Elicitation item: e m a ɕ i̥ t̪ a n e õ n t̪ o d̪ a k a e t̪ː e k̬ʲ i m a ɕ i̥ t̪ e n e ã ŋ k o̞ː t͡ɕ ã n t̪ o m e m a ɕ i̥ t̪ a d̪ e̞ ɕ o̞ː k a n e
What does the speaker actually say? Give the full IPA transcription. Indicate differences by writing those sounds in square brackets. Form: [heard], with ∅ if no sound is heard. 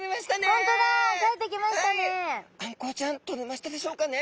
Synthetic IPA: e m a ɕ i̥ t̪ a n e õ n t̪ o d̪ a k a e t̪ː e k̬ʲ i m a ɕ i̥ t̪ [a] n e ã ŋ k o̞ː t͡ɕ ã n t̪ o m e m a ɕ i̥ t̪ a d̪ e̞ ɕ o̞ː k a n e

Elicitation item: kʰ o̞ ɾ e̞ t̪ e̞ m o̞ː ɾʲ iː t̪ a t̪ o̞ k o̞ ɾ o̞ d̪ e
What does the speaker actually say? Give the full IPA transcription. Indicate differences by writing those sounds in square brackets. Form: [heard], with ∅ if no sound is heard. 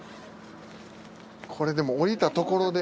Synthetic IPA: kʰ o̞ ɾ e̞ [d̪] e̞ m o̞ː ɾʲ [i] t̪ a t̪ o̞ k o̞ ɾ o̞ d̪ e

